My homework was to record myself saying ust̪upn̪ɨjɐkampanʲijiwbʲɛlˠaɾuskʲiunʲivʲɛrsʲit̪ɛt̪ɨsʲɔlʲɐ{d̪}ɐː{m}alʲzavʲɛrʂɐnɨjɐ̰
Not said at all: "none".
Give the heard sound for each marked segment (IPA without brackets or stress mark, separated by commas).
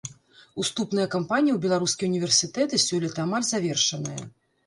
t̪, m